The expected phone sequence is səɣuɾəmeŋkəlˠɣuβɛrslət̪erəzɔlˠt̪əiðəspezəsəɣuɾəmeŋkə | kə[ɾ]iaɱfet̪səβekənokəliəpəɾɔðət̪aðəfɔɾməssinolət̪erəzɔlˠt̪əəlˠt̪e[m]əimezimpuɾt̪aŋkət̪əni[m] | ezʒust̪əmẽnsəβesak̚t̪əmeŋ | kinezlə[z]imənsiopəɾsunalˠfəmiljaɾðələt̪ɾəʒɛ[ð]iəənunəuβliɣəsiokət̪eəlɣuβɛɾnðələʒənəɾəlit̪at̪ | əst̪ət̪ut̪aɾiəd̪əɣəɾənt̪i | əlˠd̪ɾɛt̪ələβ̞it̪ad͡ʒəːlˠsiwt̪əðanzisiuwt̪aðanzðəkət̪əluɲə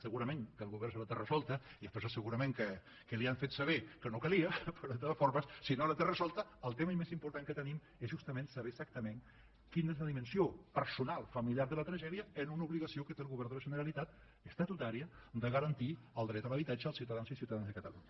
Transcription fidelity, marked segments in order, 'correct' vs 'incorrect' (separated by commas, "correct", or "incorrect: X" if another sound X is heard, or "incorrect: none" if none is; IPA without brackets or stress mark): incorrect: l, correct, correct, incorrect: ð, correct